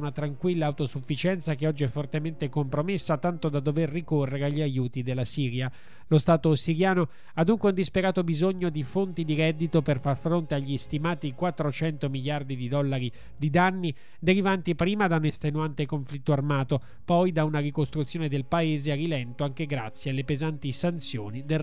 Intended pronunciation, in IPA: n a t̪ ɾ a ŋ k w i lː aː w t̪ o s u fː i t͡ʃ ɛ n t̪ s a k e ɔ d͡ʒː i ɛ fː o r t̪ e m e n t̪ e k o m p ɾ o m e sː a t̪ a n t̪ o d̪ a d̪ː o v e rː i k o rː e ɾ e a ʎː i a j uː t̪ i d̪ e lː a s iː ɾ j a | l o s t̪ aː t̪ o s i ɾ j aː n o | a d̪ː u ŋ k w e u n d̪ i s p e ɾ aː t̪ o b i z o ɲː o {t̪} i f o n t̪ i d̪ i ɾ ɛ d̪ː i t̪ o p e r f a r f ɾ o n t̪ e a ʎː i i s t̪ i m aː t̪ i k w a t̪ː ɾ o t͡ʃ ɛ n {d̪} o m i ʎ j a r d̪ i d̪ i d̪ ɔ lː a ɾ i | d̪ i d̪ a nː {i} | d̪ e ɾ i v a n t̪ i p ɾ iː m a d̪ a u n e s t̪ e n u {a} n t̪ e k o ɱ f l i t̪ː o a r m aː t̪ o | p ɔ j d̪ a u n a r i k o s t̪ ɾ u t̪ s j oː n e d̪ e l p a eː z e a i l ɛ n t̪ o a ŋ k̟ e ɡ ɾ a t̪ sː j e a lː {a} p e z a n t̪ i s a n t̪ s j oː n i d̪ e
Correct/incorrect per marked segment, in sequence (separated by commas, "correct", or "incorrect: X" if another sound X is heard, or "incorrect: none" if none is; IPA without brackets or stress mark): incorrect: d̪, incorrect: t̪, correct, correct, incorrect: e